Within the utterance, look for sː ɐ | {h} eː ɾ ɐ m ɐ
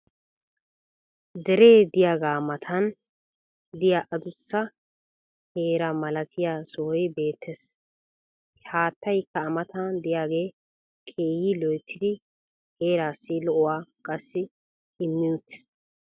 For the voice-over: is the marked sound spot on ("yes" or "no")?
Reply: yes